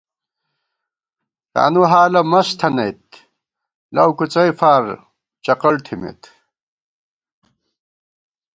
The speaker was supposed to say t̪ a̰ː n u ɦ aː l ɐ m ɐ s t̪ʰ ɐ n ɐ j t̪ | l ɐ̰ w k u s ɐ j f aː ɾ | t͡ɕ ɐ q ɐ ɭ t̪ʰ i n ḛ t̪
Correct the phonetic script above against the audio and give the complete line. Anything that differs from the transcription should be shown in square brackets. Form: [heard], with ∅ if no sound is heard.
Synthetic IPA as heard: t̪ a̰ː n u ɦ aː l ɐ m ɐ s t̪ʰ ɐ n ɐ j t̪ | l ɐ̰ w k u [t͡s] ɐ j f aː ɾ | t͡ɕ ɐ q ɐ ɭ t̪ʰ i [m] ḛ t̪